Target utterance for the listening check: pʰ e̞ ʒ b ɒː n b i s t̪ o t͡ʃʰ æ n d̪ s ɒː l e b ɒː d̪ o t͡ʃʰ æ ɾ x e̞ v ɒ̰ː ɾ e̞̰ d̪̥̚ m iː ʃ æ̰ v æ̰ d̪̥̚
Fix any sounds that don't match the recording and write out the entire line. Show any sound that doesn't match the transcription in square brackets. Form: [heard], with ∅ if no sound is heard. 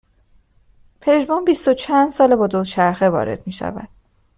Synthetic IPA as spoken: pʰ e̞ ʒ b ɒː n b i s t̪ o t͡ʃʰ æ n d̪ s ɒː l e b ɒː d̪ o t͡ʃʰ æ ɾ x e̞ v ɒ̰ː ɾ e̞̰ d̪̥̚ m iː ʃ æ̰ v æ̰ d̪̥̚